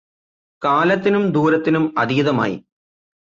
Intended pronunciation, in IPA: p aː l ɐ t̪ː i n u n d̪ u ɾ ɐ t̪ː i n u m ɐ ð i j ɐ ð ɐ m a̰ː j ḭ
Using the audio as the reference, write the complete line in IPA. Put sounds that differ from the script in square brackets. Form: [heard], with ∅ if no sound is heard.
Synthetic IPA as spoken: [k] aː l ɐ t̪ː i n u [m] d̪ [uː] ɾ ɐ t̪ː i n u m ɐ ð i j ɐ ð ɐ m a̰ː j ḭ